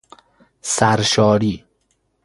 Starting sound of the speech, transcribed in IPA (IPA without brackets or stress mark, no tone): s